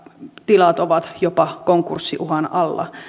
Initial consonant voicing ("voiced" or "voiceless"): voiceless